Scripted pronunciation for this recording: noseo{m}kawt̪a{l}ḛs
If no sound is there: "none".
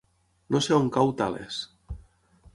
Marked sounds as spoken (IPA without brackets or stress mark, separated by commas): ŋ, l